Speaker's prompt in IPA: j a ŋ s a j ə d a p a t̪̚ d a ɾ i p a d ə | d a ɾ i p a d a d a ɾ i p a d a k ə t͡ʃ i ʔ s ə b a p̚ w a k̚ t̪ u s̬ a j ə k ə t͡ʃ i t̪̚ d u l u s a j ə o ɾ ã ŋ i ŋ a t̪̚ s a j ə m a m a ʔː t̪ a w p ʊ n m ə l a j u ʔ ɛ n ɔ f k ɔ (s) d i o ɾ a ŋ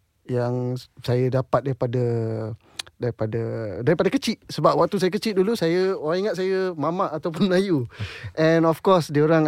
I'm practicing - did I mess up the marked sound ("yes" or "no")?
no